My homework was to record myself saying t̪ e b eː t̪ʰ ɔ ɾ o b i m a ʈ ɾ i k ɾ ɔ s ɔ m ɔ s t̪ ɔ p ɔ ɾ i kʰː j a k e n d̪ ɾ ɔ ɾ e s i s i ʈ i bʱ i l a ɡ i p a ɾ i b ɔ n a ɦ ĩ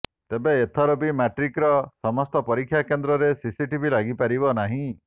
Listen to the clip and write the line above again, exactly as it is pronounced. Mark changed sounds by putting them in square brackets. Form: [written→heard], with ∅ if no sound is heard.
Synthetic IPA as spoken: t̪ e b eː t̪ʰ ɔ ɾ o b i m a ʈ ɾ i k ɾ ɔ s ɔ m ɔ s t̪ ɔ p ɔ ɾ i kʰː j a k e n d̪ ɾ ɔ ɾ e s i s i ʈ i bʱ i l a ɡ i p a ɾ i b ɔ n a ɦ ĩ